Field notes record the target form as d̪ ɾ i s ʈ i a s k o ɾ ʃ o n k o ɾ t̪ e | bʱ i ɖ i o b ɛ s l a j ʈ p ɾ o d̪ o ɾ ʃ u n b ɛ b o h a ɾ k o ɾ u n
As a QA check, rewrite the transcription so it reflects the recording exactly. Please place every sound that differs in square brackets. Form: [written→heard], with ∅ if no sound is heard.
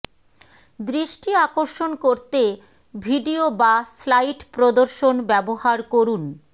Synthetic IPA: d̪ ɾ i [s→ʃ] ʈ i a [s→∅] k o ɾ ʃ o n k o ɾ t̪ e | bʱ i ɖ i o b [ɛ→a] s l a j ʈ p ɾ o d̪ o ɾ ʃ [u→o] n b ɛ b o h a ɾ k o ɾ u n

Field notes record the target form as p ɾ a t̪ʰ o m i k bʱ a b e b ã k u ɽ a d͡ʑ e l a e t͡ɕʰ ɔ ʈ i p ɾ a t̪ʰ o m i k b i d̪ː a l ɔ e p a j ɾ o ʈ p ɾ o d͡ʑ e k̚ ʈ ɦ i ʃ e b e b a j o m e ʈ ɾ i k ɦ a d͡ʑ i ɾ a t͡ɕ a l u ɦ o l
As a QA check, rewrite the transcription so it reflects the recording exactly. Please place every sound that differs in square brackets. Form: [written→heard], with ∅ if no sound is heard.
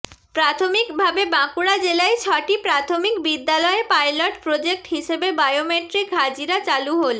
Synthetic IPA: p ɾ a t̪ʰ o m i k bʱ a b e b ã k u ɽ a d͡ʑ e l a e t͡ɕʰ ɔ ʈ i p ɾ a t̪ʰ o m i k b i d̪ː a l ɔ e p a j [ɾ→l] o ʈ p ɾ o d͡ʑ e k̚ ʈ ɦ i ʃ e b e b a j o m e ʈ ɾ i k ɦ a d͡ʑ i ɾ a t͡ɕ a l u ɦ o l

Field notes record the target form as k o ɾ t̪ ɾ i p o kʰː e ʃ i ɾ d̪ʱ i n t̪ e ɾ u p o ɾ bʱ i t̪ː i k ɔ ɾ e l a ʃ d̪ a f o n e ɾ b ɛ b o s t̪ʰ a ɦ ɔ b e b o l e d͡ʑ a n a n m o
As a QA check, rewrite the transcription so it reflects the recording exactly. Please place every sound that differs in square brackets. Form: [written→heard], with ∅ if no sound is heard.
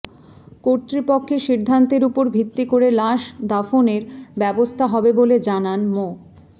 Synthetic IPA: k o ɾ t̪ ɾ i p o kʰː e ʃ i ɾ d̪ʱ [i→a] n t̪ e ɾ u p o ɾ bʱ i t̪ː i k [ɔ→o] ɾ e l a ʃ d̪ a f o n e ɾ b ɛ b o s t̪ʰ a ɦ ɔ b e b o l e d͡ʑ a n a n m o

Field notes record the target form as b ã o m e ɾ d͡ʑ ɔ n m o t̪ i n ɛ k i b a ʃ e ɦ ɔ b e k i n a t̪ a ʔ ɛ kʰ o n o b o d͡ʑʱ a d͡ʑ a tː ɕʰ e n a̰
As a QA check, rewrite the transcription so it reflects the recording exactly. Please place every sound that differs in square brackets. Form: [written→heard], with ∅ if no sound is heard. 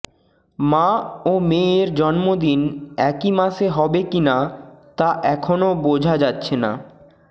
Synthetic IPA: [b→m] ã o m e ɾ d͡ʑ ɔ n m o [t̪→d̪] i n ɛ k i [b→m] a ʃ e ɦ ɔ b e k i n a t̪ a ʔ ɛ kʰ o n o b o d͡ʑʱ a d͡ʑ a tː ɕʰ e n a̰

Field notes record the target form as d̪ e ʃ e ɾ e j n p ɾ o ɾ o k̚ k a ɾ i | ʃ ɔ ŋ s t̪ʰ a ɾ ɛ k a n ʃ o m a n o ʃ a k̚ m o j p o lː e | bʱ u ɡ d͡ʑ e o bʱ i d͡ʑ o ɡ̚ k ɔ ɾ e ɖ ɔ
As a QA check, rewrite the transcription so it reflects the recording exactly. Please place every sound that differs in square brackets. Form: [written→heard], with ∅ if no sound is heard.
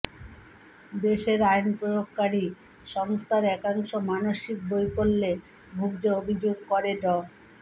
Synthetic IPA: d̪ e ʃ e ɾ [e→a] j n p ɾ o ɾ o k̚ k a ɾ i | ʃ ɔ ŋ s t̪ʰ a ɾ ɛ k a [n→ŋ] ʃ o m a n o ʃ [a→i] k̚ [m→b] o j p o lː e | bʱ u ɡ d͡ʑ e o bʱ i d͡ʑ o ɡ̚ k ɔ ɾ e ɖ ɔ

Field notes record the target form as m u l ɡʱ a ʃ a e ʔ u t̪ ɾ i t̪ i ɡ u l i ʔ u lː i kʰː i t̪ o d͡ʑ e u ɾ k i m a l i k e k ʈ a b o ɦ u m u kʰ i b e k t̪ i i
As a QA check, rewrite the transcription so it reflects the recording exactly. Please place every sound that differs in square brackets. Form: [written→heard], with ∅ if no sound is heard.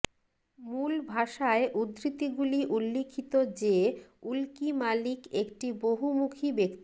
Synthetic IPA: m u l [ɡʱ→bʱ] a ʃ a e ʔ u [t̪→d̪] ɾ i t̪ i ɡ u l i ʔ u lː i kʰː i t̪ o d͡ʑ e u [ɾ→l] k i m a l i k e k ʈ [a→i] b o ɦ u m u kʰ i b e k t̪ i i

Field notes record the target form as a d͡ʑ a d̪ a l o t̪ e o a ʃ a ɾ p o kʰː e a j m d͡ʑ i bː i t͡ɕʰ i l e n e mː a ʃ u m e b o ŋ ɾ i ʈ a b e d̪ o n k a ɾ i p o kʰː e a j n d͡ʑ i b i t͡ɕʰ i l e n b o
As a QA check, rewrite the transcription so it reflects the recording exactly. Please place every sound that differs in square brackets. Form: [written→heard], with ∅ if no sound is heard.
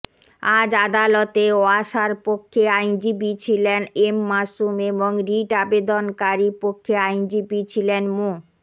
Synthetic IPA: a d͡ʑ a d̪ a l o t̪ e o a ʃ a ɾ p o kʰː e a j [m→n] d͡ʑ i [bː→b] i t͡ɕʰ i l e n e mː a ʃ u m e b o ŋ ɾ i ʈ a b e d̪ o n k a ɾ i p o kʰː e a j n d͡ʑ i b i t͡ɕʰ i l e n [b→m] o

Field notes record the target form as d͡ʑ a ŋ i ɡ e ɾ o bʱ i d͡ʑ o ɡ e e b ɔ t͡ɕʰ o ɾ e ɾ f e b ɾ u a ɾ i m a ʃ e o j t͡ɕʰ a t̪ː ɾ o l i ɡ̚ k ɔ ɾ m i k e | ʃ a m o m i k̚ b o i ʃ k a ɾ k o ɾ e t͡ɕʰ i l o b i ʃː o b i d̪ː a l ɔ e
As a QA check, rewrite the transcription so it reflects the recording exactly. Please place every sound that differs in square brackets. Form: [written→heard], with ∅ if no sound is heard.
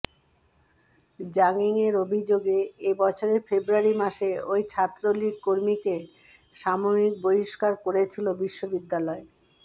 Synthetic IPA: d͡ʑ a ŋ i [ɡ→ŋ] e ɾ o bʱ i d͡ʑ o ɡ e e b ɔ t͡ɕʰ o ɾ e ɾ f e b ɾ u a ɾ i m a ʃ e o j t͡ɕʰ a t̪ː ɾ o l i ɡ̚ k [ɔ→o] ɾ m i k e | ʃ a m o m i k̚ b o i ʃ k a ɾ k o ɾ e t͡ɕʰ i l o b i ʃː o b i d̪ː a l ɔ e

